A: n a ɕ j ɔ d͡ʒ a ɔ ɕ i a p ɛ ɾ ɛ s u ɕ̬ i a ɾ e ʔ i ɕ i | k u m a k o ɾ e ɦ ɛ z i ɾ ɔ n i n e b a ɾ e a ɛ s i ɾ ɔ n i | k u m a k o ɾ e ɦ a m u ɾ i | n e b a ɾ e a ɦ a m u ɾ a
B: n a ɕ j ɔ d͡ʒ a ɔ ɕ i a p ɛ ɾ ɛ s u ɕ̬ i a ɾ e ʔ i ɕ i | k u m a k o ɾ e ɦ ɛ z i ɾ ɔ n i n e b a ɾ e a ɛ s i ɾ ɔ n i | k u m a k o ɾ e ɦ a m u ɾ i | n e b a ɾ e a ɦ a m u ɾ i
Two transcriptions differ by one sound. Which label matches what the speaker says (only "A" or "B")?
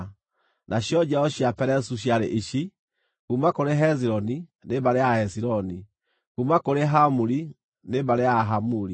B